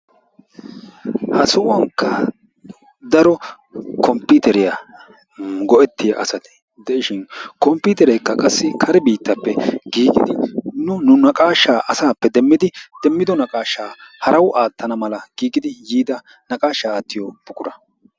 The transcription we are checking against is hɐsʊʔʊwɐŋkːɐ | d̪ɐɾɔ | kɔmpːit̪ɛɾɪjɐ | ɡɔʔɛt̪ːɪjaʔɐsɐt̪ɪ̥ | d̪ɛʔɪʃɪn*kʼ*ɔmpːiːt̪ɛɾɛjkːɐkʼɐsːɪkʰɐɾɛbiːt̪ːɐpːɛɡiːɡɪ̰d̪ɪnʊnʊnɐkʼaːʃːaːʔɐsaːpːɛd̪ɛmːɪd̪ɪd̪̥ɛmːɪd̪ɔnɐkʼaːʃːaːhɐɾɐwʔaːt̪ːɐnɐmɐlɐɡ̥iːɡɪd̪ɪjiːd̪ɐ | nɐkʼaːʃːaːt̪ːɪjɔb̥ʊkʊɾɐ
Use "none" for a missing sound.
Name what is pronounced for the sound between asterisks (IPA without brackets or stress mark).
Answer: k